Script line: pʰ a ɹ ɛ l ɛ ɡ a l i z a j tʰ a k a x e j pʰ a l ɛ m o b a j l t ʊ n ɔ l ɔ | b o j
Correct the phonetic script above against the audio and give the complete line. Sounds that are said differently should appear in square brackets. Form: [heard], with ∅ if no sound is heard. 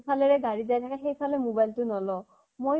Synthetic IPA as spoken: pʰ a [l] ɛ [ɹ] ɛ ɡ a [ɹ] i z a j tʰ a k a x e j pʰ a l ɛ m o b a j l t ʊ n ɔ l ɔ | [m] o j